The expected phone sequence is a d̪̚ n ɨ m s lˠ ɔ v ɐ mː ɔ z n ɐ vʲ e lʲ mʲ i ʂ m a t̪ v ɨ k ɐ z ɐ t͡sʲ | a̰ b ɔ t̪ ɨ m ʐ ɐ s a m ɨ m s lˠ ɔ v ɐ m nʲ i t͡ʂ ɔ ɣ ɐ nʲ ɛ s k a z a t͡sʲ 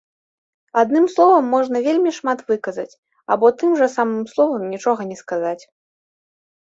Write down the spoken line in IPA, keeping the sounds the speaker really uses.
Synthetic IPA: a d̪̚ n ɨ m s lˠ ɔ v ɐ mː ɔ ʐ n ɐ vʲ e lʲ mʲ i ʂ m a t̪ v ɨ k ɐ z ɐ t͡sʲ | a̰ b ɔ t̪ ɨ m ʐ ɐ s a m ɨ m s lˠ ɔ v ɐ m nʲ i t͡ʂ ɔ ɣ ɐ nʲ ɛ s k a z a t͡sʲ

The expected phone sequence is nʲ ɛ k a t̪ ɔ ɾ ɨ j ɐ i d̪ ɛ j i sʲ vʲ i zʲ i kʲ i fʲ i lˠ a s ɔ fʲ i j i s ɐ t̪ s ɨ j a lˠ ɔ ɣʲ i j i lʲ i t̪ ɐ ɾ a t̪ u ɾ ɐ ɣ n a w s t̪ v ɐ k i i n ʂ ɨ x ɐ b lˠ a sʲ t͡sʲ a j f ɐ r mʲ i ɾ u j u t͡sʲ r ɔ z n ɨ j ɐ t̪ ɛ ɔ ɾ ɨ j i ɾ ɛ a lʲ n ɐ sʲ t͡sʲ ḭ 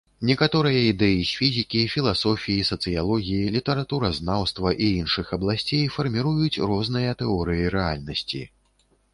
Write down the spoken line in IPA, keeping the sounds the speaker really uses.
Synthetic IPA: nʲ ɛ k a t̪ ɔ ɾ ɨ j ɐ i d̪ ɛ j i sʲ fʲ i zʲ i kʲ i fʲ i lˠ a s ɔ fʲ i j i s ɐ t̪ s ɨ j a lˠ ɔ ɣʲ i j i lʲ i t̪ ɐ ɾ a t̪ u ɾ ɐ z n a w s t̪ v ɐ ʔ i i n ʂ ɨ x ɐ b lˠ a sʲ t͡sʲ e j f ɐ r mʲ i ɾ u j u t͡sʲ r ɔ z n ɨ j ɐ t̪ ɛ ɔ ɾ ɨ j i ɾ ɛ a lʲ n ɐ sʲ t͡sʲ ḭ

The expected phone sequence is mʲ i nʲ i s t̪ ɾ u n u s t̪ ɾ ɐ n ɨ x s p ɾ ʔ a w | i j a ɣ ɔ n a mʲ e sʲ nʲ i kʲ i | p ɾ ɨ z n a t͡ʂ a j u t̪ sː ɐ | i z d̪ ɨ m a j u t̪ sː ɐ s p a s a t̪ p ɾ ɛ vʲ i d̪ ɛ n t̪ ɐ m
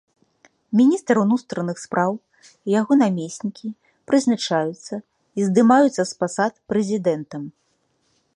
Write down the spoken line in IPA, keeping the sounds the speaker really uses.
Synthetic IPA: mʲ i nʲ i s t̪ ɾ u n u s t̪ ɾ ɐ n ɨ x s p ɾ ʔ a w | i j a ɣ ɔ n a mʲ e sʲ nʲ i kʲ i | p ɾ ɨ z n a t͡ʂ a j u t̪ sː ɐ | i z d̪ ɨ m a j u t̪ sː ɐ s p a s a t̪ p ɾ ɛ zʲ i d̪ ɛ n t̪ ɐ m

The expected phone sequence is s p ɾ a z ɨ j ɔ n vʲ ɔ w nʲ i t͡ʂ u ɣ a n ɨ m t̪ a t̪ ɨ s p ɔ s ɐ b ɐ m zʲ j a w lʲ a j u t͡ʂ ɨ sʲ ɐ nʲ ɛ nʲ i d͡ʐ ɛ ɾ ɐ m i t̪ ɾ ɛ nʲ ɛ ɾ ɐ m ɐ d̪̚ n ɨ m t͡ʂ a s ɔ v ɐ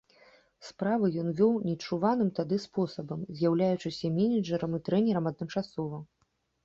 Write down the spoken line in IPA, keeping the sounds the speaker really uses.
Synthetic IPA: s p ɾ a v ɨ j ɔ n vʲ ɔ w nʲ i t͡ʂ u v a n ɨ m t̪ a d̪ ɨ s p ɔ s ɐ b ɐ m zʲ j a w lʲ a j u t͡ʂ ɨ sʲ ɐ mʲ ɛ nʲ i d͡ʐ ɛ ɾ ɐ m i t̪ ɾ ɛ nʲ ɛ ɾ ɐ m ɐ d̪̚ n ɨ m t͡ʂ a s ɔ v ɐ

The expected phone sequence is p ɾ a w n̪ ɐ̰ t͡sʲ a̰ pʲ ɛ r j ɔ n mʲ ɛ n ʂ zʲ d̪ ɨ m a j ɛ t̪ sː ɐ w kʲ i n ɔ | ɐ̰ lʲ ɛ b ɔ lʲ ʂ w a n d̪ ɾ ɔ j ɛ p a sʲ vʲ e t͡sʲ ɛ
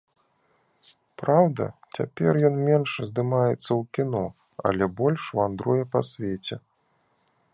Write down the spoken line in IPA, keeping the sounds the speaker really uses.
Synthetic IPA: p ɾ a w d̪ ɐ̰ t͡sʲ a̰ pʲ ɛ r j ɔ n mʲ ɛ n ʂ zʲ d̪ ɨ m a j ɛ t̪ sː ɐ w kʲ i n ɔ | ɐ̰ lʲ ɛ b ɔ lʲ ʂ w a n d̪ ɾ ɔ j ɛ p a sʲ vʲ e t͡sʲ ɛ

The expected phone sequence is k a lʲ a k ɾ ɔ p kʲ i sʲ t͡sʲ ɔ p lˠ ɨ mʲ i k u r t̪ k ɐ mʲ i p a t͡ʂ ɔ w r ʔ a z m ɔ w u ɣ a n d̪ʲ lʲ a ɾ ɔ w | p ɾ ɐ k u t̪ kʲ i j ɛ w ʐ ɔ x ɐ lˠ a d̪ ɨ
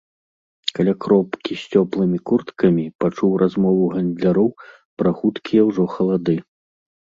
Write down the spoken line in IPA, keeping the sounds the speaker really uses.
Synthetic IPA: k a lʲ a k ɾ ɔ p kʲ i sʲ t͡sʲ ɔ p lˠ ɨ mʲ i k u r t̪ k ɐ mʲ i p a t͡ʂ u w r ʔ a z m ɔ v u ɣ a n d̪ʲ lʲ a ɾ ɔ w | p ɾ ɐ x u t̪ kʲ i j ɛ w ʐ ɔ x ɐ lˠ a d̪ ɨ

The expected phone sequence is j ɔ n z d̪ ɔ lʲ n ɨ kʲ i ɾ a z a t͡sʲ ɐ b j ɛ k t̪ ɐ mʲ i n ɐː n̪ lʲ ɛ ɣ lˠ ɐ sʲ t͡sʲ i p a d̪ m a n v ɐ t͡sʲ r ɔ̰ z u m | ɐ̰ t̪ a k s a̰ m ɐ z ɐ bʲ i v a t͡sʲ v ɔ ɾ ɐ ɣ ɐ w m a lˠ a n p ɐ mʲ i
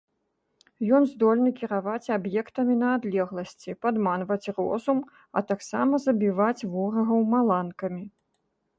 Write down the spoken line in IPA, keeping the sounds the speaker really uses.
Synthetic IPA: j ɔ n z d̪ ɔ lʲ n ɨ kʲ i ɾ a v a t͡sʲ a b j ɛ k t̪ ɐ mʲ i n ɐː d̪ lʲ ɛ ɣ lˠ ɐ sʲ t͡sʲ i p a d̪ m a n v ɐ t͡sʲ r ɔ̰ z u m | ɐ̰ t̪ a k s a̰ m ɐ z ɐ bʲ i v a t͡sʲ v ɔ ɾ ɐ ɣ ɐ w m a lˠ a n k ɐ mʲ i

